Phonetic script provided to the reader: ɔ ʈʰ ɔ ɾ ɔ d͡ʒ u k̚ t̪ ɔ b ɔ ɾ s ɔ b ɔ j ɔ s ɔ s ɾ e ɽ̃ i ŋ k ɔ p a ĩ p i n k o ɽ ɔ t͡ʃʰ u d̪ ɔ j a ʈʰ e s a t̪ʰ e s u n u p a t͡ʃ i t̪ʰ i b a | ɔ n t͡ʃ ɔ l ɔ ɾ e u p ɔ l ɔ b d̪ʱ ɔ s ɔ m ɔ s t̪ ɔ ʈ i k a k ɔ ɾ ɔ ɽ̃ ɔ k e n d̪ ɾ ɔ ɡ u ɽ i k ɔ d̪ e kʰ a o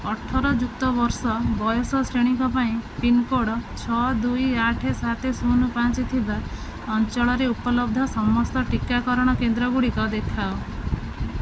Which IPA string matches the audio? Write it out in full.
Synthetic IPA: ɔ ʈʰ ɔ ɾ ɔ d͡ʒ u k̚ t̪ ɔ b ɔ ɾ s ɔ b ɔ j ɔ s ɔ s ɾ e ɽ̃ i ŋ k ɔ p a ĩ p i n k o ɽ ɔ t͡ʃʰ ɔ d̪ u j a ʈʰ e s a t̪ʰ e s u n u p a t͡ʃ i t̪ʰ i b a | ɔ n t͡ʃ ɔ ɭ ɔ ɾ e u p ɔ l ɔ b d̪ʱ ɔ s ɔ m ɔ s t̪ ɔ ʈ i k a k ɔ ɾ ɔ ɽ̃ ɔ k e n d̪ ɾ ɔ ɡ u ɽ i k ɔ d̪ e kʰ a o